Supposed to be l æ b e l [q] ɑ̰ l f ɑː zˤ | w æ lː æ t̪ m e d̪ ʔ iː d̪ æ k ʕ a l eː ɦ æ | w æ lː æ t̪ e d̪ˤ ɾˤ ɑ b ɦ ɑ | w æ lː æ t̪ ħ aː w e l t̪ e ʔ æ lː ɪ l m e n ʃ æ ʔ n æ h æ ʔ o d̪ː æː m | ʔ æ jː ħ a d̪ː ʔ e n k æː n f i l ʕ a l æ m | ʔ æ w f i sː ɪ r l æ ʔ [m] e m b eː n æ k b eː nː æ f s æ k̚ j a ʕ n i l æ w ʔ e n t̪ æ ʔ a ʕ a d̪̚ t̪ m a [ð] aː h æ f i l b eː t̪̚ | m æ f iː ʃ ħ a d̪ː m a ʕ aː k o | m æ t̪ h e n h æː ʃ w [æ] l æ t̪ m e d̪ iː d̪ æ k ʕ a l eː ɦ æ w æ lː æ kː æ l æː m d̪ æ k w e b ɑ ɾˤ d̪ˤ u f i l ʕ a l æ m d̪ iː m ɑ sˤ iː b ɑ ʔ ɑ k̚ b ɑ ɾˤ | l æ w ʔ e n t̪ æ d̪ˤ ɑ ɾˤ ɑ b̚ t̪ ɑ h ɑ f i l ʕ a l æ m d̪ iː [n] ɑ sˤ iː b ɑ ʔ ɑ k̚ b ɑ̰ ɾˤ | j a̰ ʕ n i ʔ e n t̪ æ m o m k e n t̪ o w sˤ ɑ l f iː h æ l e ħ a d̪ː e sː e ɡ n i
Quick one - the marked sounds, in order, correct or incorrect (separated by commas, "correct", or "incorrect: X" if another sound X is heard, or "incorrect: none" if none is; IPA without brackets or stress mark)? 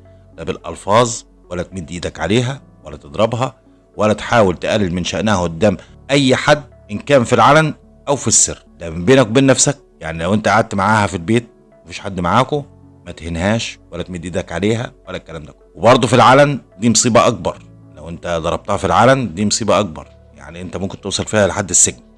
incorrect: ʔ, correct, incorrect: ʕ, correct, incorrect: m